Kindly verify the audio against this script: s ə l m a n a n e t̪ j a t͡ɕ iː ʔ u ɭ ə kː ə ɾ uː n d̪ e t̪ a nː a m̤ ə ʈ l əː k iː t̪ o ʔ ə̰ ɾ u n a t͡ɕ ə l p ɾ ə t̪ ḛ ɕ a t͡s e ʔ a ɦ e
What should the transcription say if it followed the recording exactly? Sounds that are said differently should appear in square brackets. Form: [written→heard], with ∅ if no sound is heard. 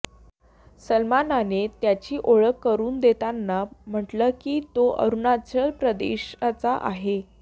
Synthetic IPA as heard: s ə l m a n a n e t̪ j a t͡ɕ iː ʔ [u→o] ɭ ə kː ə ɾ uː n d̪ e t̪ a nː a m̤ ə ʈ l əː k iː t̪ o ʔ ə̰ ɾ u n a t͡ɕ ə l p ɾ ə [t̪→d̪] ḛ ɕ a t͡s [e→a] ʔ a ɦ e

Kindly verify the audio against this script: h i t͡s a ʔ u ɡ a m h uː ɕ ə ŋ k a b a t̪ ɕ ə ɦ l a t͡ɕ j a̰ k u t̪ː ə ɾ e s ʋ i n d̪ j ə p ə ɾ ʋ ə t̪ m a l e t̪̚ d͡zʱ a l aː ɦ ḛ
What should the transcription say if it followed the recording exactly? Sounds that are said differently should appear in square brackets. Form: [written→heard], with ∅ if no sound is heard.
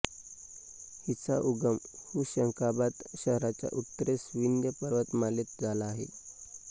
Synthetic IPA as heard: h i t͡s a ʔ u ɡ [a→ə] m h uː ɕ ə ŋ k a b a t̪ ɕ ə ɦ [l→ɾ] a t͡ɕ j a̰ [k→ʔ] u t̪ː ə ɾ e s ʋ i n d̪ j ə p ə ɾ ʋ ə t̪ m a l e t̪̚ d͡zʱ a l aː ɦ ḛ

